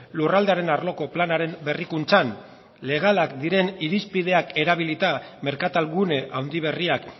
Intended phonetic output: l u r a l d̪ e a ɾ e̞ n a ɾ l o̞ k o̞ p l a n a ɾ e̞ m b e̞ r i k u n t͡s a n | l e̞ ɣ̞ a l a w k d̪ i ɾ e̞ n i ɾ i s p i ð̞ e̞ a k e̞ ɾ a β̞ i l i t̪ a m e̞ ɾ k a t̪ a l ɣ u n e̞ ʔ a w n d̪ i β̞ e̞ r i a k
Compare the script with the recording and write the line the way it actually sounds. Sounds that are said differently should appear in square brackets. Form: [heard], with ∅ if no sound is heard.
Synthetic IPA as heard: l u r a l d̪ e a ɾ e̞ n a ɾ l o̞ k o̞ p l a n a ɾ e̞ m b e̞ r i k u n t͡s a n | l e̞ ɣ̞ a l a [∅] k d̪ i ɾ e̞ n i ɾ i s p i ð̞ e̞ a k e̞ ɾ a β̞ i l i t̪ a m e̞ ɾ k a t̪ a l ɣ u n e̞ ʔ a w n d̪ i β̞ e̞ r i a k